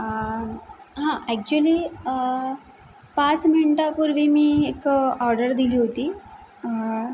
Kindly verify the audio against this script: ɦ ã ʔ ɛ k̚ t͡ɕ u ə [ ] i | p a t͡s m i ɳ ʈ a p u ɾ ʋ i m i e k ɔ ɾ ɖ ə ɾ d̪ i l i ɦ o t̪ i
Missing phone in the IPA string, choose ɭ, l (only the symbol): l